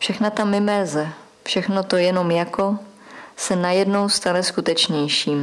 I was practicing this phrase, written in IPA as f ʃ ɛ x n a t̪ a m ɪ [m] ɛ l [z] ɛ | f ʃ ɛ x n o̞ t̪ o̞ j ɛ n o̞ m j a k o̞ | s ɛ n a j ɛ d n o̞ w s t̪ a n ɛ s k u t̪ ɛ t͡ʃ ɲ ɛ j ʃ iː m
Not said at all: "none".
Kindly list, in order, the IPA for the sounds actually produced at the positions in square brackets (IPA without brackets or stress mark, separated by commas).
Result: m, z